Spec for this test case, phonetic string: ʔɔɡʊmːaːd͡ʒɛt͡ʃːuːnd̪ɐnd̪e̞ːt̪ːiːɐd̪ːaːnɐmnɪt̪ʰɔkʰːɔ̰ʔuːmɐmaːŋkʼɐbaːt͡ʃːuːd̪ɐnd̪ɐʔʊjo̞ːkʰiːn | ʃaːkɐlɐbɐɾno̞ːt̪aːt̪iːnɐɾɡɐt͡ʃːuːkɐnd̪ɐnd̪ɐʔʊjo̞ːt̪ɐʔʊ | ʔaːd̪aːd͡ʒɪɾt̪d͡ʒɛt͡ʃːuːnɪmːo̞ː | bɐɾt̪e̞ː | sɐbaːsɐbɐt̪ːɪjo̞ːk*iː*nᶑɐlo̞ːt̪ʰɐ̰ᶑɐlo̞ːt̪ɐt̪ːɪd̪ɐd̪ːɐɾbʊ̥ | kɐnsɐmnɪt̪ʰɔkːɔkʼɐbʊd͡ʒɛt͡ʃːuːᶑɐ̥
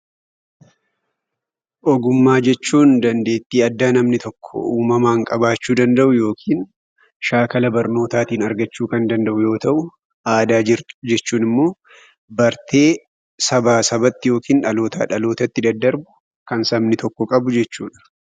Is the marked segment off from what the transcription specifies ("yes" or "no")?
no